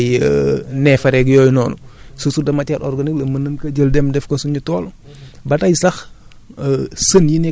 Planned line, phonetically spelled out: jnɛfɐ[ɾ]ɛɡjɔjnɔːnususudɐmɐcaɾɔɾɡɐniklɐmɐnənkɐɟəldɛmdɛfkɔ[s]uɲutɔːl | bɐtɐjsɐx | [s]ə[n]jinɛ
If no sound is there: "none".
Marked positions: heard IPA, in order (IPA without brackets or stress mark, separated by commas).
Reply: ɾ, s, s, n